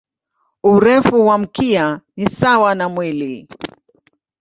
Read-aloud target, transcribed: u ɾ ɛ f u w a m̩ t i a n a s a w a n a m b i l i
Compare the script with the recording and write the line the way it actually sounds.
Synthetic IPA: u ɾ ɛ f u w a m̩ k i a n i s a w a n a m w i l i